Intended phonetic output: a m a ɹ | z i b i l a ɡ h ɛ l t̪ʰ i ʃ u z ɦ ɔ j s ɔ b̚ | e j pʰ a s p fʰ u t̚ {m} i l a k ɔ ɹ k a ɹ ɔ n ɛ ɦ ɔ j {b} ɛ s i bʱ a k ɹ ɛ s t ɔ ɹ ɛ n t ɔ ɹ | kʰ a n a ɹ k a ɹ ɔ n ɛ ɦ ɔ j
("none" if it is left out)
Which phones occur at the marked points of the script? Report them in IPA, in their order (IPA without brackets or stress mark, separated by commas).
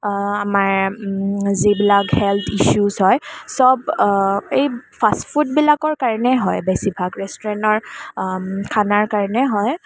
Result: b, b